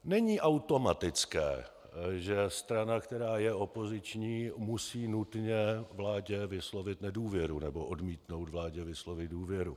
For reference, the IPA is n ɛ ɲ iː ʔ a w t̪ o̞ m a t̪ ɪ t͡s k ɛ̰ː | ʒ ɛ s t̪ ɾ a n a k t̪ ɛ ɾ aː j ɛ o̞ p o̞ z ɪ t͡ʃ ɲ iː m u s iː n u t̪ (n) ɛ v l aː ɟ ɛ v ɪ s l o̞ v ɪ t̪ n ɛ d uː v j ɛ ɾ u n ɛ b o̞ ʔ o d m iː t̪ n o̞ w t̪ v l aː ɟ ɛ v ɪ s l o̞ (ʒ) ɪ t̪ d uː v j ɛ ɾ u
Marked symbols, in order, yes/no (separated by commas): no, no